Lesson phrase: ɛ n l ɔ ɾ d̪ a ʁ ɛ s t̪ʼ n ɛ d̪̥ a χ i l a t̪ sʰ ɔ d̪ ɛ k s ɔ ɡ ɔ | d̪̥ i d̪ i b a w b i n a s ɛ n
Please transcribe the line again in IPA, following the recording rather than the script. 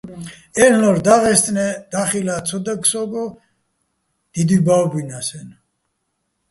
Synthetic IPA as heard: ɛ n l ɔ ɾ d̪ a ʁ ɛ s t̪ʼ n ɛ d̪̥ a χ i l a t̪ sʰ ɔ d̪ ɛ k s ɔ ɡ ɔ | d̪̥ i d̪ i b a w b i n a s ɛ n